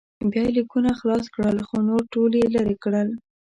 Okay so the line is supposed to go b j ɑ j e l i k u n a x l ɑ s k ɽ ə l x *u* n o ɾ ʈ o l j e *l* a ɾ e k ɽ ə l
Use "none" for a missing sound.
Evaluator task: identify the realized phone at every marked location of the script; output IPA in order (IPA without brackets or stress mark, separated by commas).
o, l